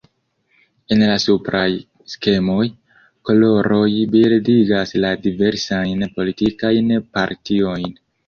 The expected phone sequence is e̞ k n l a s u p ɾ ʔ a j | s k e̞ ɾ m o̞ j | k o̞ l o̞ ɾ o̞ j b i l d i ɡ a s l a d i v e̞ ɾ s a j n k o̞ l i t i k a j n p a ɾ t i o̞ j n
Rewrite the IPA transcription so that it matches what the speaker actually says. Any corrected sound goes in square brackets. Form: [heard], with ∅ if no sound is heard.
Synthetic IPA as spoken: e̞ [∅] n l a s u p ɾ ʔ a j | s k e̞ [∅] m o̞ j | k o̞ l o̞ ɾ o̞ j b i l d i ɡ a s l a d i v e̞ ɾ s a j n [p] o̞ l i t i k a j n p a ɾ t i o̞ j n